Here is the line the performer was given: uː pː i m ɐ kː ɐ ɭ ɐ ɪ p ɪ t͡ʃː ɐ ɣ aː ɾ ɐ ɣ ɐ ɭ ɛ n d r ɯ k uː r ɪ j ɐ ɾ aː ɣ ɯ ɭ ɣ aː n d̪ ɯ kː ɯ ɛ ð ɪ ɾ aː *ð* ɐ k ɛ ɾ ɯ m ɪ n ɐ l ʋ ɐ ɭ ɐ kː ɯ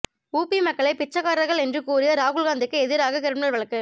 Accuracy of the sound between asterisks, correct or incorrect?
incorrect